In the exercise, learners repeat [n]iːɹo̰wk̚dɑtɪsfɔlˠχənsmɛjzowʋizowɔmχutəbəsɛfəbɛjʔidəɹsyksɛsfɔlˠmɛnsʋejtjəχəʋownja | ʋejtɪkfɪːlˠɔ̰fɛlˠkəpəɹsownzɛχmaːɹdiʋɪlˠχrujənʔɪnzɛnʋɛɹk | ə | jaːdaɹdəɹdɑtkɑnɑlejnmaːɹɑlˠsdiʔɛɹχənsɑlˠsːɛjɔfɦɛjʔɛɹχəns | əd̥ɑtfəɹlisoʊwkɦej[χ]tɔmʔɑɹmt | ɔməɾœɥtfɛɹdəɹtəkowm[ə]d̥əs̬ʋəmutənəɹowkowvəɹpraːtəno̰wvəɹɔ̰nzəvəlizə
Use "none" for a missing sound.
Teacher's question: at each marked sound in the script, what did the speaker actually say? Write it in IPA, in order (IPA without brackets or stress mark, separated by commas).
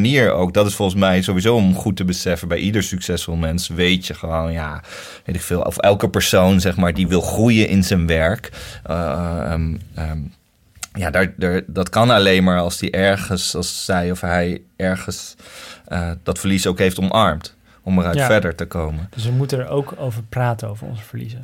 n, f, ə